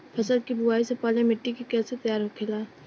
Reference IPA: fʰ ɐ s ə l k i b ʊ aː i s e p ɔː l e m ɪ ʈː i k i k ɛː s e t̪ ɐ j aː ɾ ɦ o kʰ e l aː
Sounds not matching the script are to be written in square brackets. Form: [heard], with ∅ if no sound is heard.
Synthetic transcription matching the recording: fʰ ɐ s ə l k i b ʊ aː i s e p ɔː l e m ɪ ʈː i k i k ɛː s e t̪ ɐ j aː ɾ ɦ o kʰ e l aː